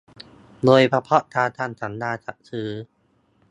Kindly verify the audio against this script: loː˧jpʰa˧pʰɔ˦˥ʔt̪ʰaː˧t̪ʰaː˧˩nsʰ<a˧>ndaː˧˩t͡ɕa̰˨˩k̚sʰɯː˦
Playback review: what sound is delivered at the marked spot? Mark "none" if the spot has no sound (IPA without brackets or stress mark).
a˩˦